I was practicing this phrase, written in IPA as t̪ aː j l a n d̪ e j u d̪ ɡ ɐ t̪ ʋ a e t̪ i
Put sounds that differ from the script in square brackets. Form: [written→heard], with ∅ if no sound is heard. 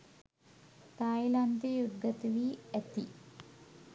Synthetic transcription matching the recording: t̪ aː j l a n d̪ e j u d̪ ɡ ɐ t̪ ʋ [a→i] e t̪ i